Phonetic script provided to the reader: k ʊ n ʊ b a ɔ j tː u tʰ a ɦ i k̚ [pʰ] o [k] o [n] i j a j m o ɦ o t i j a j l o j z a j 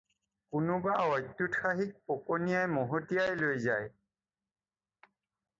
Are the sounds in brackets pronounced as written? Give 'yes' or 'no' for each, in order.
no, yes, yes

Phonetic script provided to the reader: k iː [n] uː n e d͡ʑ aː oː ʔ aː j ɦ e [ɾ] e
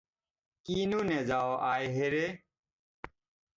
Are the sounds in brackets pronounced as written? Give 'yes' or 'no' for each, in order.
yes, yes

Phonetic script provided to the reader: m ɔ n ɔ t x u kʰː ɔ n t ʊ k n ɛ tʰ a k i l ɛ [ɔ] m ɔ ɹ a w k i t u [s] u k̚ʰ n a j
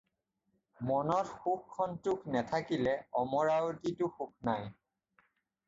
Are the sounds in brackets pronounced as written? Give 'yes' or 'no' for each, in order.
yes, no

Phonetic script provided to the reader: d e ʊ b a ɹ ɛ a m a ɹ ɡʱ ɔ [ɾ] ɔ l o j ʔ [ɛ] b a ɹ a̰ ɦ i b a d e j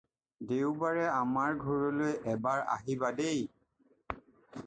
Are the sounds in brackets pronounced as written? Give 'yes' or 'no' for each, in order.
no, yes

